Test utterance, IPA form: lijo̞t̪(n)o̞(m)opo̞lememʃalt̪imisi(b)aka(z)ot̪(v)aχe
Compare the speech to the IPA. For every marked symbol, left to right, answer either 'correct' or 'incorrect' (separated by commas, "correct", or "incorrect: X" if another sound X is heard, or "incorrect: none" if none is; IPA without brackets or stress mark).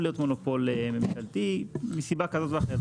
incorrect: m, incorrect: n, correct, correct, correct